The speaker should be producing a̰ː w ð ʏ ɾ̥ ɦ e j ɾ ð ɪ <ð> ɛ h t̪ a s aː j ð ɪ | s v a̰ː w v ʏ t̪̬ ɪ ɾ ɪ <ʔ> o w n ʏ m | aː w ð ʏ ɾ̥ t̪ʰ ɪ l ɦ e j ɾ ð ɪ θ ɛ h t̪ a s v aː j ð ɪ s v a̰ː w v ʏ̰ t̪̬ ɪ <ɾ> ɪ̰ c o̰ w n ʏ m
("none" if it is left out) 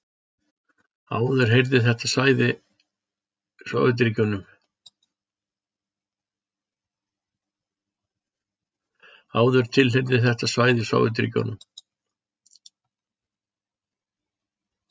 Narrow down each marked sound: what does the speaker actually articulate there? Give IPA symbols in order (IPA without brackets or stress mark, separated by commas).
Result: θ, c, ɾ